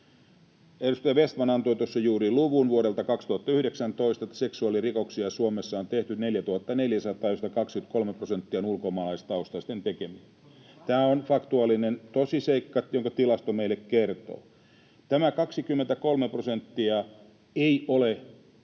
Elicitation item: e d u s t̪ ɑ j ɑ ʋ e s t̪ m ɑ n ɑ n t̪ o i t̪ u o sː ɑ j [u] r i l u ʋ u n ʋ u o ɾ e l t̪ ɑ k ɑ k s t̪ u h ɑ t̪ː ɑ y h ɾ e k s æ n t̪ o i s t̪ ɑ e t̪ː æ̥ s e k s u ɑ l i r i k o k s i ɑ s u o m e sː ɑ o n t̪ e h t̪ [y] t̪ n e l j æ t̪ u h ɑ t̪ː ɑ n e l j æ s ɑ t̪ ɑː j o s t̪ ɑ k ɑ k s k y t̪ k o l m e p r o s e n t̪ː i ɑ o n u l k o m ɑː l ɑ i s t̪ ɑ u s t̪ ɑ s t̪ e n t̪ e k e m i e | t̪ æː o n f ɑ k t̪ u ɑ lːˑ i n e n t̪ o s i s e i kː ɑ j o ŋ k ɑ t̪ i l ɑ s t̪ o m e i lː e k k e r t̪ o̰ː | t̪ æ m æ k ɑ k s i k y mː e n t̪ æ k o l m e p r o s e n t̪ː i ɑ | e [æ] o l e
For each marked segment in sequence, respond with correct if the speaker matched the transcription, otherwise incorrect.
incorrect: uː, correct, incorrect: i

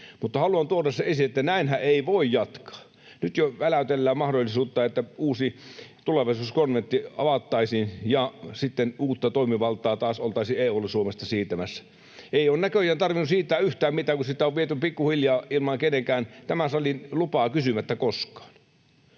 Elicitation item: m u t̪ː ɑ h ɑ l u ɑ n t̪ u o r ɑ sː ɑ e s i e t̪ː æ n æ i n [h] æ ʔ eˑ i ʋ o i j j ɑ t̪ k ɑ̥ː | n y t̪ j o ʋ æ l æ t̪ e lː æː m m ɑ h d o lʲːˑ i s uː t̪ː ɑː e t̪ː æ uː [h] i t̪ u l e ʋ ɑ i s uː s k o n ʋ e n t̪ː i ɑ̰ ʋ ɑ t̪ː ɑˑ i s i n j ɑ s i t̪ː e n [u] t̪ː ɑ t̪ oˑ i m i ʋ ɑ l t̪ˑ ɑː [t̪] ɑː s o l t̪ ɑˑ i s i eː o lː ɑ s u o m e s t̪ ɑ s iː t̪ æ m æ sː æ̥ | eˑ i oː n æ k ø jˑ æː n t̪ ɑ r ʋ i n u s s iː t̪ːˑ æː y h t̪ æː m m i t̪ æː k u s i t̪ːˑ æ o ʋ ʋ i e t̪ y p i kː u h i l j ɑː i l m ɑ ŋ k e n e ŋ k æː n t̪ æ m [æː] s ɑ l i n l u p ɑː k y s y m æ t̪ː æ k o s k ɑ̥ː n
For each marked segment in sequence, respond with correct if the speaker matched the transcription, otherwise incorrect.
correct, incorrect: s, incorrect: uː, correct, incorrect: æ

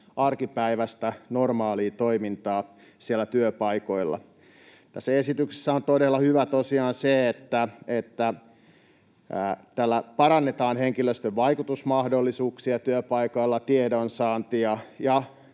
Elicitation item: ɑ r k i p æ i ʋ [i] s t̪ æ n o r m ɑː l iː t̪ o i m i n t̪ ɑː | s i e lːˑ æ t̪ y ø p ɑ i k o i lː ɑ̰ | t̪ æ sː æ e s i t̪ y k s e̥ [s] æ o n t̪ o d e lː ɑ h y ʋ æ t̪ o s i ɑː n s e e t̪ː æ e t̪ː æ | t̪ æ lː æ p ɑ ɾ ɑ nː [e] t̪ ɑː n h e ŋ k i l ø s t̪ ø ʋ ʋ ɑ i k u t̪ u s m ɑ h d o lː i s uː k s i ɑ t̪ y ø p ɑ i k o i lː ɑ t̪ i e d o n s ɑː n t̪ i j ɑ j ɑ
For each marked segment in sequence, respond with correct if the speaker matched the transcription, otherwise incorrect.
incorrect: æ, incorrect: sː, correct

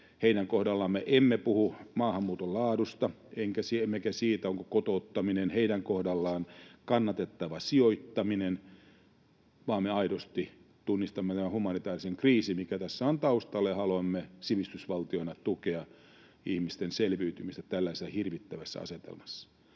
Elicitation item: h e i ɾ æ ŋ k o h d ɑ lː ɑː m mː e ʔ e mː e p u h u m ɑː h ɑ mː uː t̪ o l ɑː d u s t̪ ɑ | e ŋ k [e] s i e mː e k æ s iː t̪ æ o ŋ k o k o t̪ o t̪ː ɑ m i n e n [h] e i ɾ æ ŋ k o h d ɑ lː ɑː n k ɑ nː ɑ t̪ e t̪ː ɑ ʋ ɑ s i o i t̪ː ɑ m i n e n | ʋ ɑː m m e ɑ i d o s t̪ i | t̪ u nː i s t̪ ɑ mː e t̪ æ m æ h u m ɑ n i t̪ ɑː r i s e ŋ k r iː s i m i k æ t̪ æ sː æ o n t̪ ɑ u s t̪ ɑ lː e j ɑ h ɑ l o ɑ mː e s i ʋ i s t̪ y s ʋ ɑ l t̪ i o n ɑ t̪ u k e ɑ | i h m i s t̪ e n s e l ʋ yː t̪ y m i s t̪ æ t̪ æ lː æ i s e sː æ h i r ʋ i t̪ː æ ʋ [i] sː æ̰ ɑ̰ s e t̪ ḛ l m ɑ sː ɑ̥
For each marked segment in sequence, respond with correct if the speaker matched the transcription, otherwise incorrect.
incorrect: æ, correct, incorrect: æ

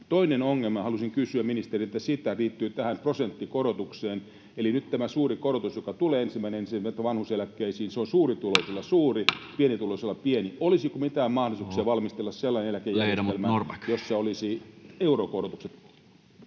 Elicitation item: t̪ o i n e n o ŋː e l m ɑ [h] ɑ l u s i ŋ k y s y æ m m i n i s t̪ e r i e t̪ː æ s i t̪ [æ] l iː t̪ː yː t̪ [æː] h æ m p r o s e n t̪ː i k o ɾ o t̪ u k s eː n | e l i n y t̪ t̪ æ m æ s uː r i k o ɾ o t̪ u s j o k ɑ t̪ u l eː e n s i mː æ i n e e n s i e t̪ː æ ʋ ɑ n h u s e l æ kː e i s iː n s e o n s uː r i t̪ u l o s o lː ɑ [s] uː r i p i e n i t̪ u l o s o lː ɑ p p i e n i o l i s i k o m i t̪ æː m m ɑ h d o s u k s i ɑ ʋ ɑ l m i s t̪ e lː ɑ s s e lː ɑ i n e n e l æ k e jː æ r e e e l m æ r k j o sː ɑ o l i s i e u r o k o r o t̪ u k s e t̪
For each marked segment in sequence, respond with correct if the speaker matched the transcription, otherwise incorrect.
correct, correct, incorrect: æ, correct

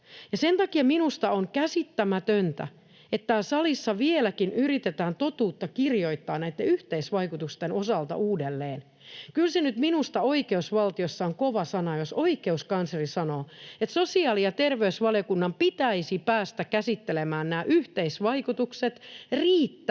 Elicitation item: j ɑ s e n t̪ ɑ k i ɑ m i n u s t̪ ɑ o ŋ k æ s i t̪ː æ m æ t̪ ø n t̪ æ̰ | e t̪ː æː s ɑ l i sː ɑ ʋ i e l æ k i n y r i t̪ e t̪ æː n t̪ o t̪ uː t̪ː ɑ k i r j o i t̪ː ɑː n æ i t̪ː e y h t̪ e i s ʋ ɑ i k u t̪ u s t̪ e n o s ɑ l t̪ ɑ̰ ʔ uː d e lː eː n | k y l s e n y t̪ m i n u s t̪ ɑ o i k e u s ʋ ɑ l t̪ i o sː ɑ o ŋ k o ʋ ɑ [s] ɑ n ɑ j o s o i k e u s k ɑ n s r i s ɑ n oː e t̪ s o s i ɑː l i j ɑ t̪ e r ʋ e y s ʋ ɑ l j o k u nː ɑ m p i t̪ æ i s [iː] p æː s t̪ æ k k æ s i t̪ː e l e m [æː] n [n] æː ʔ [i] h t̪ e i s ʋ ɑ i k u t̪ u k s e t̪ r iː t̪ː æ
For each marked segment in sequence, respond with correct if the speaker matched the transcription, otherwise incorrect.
correct, incorrect: i, correct, correct, incorrect: y

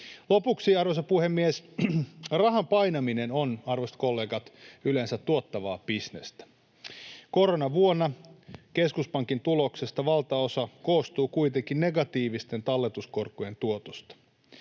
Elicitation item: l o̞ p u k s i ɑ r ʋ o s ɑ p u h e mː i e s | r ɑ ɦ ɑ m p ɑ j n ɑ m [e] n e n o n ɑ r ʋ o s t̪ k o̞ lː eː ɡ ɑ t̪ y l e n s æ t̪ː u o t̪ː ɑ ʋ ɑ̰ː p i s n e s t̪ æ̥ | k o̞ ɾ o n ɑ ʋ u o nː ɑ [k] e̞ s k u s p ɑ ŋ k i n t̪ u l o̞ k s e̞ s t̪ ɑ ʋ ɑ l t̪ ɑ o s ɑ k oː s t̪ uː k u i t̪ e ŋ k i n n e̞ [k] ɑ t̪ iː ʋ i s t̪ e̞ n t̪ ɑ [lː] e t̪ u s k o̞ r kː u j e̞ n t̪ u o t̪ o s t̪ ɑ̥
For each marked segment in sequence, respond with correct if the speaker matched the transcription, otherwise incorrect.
incorrect: i, correct, incorrect: ɡ, correct

